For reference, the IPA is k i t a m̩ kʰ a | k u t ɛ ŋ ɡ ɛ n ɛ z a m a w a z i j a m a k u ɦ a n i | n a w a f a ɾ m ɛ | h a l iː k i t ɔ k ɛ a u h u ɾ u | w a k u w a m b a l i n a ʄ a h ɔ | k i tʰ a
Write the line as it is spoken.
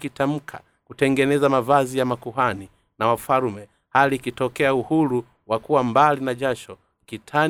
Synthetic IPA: k i t a m̩ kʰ a | k u t ɛ ŋ ɡ ɛ n ɛ z a m a v a z i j a m a k u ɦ a n i | n a w a f a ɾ m ɛ | h a l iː k i t ɔ k ɛ a u h u ɾ u | w a k u w a m b a l i n a ʄ a ʃ ɔ | k i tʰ a